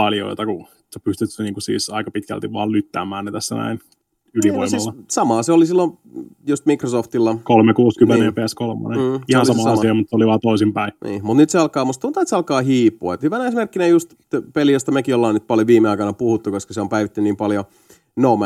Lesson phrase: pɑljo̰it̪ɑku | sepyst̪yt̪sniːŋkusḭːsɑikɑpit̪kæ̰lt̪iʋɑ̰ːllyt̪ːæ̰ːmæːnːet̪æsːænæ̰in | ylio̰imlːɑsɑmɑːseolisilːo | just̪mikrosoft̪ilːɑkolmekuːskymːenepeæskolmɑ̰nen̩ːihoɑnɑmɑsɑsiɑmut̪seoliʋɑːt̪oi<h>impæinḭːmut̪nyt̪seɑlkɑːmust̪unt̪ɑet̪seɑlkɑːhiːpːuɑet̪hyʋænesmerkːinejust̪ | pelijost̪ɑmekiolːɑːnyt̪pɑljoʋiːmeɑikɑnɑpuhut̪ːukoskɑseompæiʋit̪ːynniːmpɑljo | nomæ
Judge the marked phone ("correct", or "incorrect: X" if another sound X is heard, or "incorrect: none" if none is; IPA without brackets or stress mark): incorrect: s